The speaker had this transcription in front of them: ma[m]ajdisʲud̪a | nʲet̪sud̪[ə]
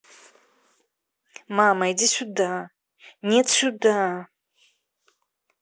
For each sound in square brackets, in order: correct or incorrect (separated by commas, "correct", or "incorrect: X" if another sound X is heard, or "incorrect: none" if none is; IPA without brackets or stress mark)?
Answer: correct, incorrect: a